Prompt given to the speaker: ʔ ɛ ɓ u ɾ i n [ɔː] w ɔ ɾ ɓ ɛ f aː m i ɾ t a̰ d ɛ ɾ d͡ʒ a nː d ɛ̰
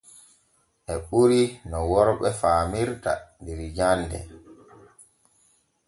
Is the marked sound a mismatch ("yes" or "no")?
yes